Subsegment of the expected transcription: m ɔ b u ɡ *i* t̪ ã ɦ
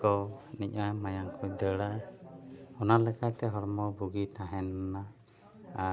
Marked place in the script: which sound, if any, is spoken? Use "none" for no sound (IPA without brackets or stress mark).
i